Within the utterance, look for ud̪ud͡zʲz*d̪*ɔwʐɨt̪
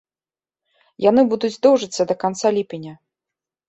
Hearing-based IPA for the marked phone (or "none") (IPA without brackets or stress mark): d̪